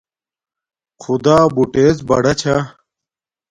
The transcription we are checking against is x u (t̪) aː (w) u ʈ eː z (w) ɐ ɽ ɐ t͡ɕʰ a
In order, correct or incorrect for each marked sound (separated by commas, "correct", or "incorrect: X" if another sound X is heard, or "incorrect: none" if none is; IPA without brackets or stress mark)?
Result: incorrect: d̪, incorrect: b, incorrect: b